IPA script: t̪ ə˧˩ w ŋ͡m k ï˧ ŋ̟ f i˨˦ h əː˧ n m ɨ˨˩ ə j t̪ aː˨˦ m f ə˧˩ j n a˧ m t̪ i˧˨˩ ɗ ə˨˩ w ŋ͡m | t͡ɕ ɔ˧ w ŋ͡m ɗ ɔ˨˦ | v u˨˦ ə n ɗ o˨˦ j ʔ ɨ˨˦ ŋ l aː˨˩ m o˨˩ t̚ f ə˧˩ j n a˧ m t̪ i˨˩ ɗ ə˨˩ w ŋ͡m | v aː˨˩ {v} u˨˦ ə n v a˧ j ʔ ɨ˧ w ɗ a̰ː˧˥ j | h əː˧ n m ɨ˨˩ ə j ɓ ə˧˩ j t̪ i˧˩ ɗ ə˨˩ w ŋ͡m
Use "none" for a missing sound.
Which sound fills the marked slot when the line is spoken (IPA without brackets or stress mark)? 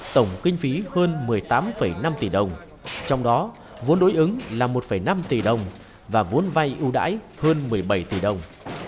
v